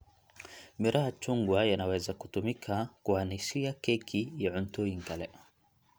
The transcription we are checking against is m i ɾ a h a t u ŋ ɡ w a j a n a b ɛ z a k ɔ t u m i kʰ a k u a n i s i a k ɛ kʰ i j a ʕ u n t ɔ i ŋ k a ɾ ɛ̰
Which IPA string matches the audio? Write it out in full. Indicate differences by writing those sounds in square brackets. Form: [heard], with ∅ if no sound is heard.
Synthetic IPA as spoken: m i ɾ a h a [t͡ʃ] u ŋ ɡ w a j a n a [w] ɛ z a k [u] t u m i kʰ a k u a n i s i a k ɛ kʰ i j a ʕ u n t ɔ i ŋ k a [l] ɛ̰